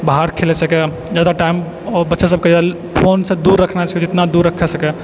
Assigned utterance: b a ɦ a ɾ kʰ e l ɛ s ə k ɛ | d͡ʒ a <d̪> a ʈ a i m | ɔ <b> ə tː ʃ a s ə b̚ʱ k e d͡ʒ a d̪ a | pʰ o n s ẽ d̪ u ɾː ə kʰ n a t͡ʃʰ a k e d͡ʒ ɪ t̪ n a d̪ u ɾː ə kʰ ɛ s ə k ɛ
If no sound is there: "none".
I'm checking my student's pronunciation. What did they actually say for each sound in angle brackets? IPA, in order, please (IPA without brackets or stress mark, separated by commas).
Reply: d̪, b